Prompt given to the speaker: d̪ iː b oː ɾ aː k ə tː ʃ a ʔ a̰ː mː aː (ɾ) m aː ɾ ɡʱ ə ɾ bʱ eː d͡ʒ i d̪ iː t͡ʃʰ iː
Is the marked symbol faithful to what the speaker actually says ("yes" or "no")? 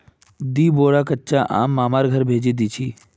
no